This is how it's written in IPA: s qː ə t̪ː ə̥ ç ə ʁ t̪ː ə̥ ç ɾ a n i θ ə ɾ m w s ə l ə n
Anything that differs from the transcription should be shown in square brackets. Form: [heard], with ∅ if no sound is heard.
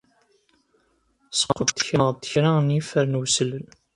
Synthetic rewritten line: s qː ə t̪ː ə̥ ç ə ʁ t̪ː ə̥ ç ɾ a n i [f] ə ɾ [n] w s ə l ə n

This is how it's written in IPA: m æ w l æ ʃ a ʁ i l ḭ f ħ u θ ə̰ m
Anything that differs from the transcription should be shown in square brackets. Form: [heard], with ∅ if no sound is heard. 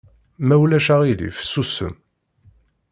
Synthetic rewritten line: m æ w l æ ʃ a ʁ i l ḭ f [s] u [s] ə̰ m

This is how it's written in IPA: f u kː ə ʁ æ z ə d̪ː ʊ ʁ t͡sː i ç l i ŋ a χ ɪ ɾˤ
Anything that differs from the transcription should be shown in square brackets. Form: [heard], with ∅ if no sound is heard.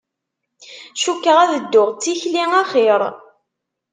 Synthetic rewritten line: [ʃ] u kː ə ʁ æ [ð] ə d̪ː ʊ ʁ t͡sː i ç l i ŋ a χ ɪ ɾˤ

